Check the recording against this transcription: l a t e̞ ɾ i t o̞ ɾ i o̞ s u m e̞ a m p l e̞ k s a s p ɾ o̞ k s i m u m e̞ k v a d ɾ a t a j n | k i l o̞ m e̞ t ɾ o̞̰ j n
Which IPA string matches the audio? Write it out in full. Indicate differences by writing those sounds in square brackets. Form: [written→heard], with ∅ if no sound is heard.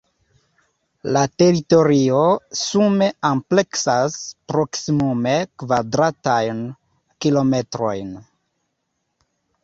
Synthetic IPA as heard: l a t e̞ ɾ i t o̞ ɾ i o̞ s u m e̞ a m p l e̞ k s a s p ɾ o̞ k s i m u m e̞ k v a d ɾ a t a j n | k i l o̞ m e̞ t ɾ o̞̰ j n